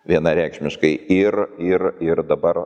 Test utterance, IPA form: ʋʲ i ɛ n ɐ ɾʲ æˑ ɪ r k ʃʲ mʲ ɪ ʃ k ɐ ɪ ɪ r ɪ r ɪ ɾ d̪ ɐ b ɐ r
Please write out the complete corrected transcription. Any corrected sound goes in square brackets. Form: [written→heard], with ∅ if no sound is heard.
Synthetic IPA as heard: ʋʲ i ɛ n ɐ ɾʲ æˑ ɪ [r→∅] k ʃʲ mʲ ɪ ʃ k ɐ ɪ ɪ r ɪ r ɪ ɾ d̪ ɐ b ɐ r